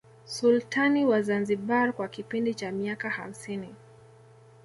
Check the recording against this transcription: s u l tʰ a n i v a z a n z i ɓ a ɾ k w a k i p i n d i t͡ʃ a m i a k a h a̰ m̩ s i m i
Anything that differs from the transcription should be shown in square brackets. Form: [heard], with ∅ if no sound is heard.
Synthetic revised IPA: s u l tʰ a n i [w] a z a n z i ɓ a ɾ k w a k i p i n d i t͡ʃ a m i a k a h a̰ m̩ s i [n] i